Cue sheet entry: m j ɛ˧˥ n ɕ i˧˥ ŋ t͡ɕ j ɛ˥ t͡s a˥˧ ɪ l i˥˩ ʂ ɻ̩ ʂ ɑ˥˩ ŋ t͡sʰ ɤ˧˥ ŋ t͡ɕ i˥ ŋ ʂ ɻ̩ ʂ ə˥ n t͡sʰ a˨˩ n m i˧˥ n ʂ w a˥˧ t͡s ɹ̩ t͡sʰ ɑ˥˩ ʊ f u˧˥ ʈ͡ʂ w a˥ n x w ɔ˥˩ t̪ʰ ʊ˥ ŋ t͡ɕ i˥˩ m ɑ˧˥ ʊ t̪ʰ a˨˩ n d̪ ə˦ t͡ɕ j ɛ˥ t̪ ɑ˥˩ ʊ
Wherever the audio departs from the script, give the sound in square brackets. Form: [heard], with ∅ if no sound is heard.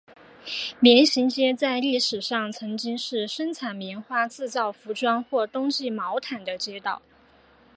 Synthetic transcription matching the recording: m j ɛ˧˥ n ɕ i˧˥ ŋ t͡ɕ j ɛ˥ t͡s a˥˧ ɪ l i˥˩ ʂ ɻ̩ ʂ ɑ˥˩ ŋ t͡sʰ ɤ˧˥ ŋ t͡ɕ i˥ ŋ ʂ ɻ̩ ʂ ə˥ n t͡sʰ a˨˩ n m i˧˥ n [x] w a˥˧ t͡s ɹ̩ [t͡s] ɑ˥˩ ʊ f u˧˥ ʈ͡ʂ w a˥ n x w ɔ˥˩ [t̪] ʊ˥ ŋ t͡ɕ i˥˩ m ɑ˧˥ ʊ t̪ʰ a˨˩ n d̪ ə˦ t͡ɕ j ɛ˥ t̪ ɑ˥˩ ʊ